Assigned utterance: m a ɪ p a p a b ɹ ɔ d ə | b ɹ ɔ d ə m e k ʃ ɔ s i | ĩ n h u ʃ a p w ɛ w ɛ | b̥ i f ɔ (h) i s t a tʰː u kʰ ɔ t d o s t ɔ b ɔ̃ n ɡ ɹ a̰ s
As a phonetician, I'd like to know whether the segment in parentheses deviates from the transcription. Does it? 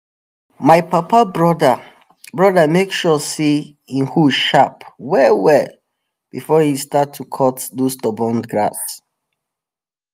no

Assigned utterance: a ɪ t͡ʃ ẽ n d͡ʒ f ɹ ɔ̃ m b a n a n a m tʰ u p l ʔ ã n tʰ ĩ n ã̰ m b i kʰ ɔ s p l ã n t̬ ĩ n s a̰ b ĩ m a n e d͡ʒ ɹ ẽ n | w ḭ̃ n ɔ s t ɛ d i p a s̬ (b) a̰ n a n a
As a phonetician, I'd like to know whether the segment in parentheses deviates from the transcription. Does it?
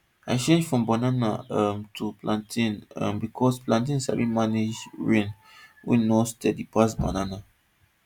no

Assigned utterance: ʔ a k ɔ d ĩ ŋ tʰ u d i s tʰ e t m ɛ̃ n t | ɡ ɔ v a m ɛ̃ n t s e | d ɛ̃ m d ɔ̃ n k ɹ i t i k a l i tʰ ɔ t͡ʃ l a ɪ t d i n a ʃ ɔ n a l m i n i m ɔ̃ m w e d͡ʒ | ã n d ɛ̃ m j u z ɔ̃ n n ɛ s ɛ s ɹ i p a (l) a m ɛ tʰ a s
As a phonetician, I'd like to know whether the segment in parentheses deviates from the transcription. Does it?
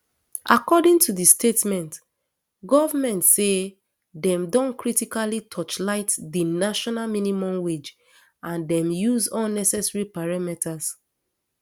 yes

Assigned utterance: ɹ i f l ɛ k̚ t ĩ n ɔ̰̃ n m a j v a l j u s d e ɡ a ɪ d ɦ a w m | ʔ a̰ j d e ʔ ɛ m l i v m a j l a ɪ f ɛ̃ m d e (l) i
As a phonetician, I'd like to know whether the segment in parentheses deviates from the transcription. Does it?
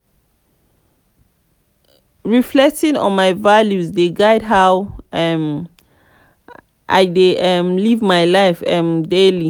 no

